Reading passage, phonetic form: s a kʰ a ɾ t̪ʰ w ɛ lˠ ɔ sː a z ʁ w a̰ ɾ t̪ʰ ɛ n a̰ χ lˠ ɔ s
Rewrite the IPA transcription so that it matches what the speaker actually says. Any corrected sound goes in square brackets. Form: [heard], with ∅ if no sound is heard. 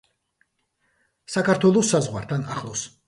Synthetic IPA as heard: s a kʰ a ɾ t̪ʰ w ɛ lˠ ɔ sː a z ʁ w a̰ ɾ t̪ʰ [a] n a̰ χ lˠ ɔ s